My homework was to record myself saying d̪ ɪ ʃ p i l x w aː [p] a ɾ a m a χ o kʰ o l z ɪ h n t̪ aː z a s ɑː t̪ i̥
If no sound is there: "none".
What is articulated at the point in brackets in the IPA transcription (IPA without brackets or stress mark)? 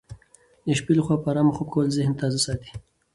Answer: p